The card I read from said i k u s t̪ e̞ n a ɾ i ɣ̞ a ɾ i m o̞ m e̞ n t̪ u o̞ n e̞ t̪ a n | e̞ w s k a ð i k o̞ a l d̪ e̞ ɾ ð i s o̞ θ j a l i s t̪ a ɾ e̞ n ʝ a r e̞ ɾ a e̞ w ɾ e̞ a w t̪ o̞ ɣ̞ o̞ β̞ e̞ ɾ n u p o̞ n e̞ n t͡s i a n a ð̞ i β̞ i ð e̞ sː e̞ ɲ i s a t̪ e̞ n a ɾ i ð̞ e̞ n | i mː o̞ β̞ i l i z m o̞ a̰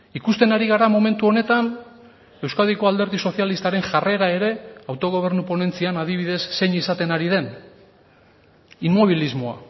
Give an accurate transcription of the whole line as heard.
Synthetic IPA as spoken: i k u s t̪ e̞ n a ɾ i ɣ̞ a ɾ a m o̞ m e̞ n t̪ u o̞ n e̞ t̪ a n | e̞ w s k a ð i k o̞ a l d̪ e̞ ɾ ð i s o̞ θ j a l i s t̪ a ɾ e̞ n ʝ a r e̞ ɾ a e̞ ɾ e̞ a w t̪ o̞ ɣ̞ o̞ β̞ e̞ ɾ n u p o̞ n e̞ n t͡s i a n a ð̞ i β̞ i ð e̞ sː e̞ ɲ i s a t̪ e̞ n a ɾ i ð̞ e̞ n | i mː o̞ β̞ i l i z m o̞ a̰